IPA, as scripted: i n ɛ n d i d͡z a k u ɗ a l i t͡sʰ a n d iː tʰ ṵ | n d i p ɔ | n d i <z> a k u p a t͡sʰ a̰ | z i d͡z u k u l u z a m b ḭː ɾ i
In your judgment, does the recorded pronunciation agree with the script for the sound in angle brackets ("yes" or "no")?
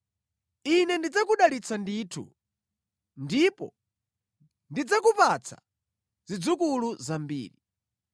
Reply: no